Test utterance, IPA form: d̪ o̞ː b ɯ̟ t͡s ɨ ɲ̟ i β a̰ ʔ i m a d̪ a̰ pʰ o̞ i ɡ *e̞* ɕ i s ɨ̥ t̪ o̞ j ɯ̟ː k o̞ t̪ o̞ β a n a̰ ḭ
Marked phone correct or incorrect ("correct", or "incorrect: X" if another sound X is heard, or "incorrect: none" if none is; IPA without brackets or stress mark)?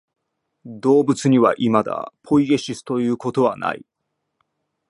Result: correct